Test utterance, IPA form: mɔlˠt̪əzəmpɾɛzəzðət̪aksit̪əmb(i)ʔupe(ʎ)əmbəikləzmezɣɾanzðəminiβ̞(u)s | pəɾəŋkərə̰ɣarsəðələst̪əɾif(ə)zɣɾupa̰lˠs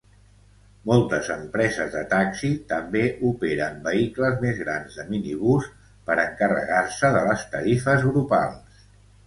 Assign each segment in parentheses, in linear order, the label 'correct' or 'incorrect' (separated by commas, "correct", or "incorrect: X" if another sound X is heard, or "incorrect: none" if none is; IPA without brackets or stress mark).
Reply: incorrect: e, incorrect: ɾ, correct, correct